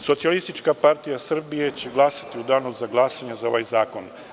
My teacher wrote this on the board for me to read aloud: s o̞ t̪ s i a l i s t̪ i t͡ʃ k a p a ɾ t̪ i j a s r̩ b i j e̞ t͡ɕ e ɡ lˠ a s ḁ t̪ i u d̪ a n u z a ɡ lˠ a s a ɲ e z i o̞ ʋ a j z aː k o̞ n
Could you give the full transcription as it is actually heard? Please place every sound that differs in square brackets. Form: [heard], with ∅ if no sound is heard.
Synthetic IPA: s o̞ t̪ s i a l i s t̪ i t͡ʃ k a p a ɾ t̪ i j a s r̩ b i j e̞ t͡ɕ e ɡ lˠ a s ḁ t̪ i u d̪ a n u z a ɡ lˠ a s a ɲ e z [a] o̞ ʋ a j z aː k o̞ n